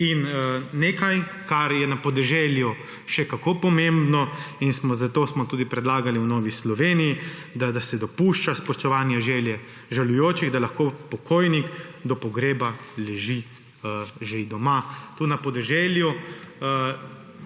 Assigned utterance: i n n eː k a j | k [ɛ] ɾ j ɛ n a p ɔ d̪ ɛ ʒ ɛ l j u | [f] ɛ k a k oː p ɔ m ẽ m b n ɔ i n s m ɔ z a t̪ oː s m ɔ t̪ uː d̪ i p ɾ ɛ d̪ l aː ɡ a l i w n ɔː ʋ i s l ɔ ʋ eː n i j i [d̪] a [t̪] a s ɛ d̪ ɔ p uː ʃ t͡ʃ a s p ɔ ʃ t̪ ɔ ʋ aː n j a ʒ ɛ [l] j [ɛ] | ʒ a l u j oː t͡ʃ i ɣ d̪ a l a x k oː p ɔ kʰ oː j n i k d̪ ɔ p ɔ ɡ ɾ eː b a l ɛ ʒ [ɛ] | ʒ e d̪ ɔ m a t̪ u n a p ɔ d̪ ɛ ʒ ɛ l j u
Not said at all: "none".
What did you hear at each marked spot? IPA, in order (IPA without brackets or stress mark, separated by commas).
a, ʃ, d̪, d̪, l, ɛ, i